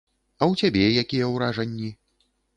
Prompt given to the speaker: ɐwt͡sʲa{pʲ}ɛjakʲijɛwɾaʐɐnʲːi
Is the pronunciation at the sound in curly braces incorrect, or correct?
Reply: incorrect: bʲ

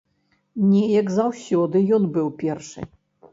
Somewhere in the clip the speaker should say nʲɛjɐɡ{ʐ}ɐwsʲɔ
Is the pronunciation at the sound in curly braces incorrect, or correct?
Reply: incorrect: z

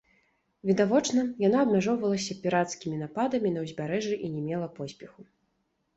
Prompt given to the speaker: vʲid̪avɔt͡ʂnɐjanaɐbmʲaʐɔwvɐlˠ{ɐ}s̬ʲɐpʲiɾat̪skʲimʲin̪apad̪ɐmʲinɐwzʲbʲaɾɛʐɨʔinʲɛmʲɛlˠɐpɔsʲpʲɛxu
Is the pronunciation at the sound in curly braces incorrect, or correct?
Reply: correct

